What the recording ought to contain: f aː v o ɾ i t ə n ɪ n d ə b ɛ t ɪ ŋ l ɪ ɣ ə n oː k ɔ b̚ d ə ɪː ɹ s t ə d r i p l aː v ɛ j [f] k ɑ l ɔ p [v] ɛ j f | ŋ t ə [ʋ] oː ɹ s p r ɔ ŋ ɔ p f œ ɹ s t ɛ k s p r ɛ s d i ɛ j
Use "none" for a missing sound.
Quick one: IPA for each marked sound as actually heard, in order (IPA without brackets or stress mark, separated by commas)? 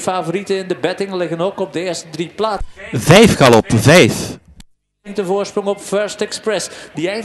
f, v, v